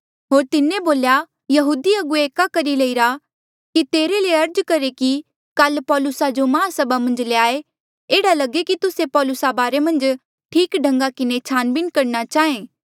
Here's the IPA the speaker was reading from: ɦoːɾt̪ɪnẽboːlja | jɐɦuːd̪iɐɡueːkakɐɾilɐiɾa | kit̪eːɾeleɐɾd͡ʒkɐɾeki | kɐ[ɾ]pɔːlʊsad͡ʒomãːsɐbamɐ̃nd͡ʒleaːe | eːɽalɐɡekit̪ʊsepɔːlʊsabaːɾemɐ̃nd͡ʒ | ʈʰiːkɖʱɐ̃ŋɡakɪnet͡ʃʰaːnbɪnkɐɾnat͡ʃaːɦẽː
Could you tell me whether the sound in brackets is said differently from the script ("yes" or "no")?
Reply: yes